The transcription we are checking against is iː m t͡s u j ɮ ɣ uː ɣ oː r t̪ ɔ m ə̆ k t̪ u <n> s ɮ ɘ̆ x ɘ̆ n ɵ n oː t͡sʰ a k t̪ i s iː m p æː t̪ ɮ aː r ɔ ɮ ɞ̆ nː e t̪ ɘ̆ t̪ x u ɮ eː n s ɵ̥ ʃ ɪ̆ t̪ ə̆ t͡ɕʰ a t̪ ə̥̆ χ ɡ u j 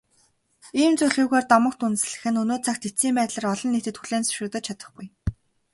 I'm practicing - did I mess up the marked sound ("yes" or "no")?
no